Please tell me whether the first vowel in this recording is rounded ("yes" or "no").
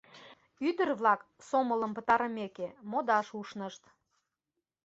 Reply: yes